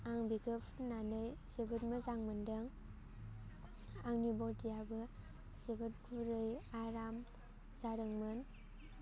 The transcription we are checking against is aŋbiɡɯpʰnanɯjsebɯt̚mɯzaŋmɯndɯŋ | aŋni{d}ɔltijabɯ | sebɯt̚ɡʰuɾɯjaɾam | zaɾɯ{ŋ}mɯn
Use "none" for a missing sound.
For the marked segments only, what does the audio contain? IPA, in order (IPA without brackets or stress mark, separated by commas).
b, ŋ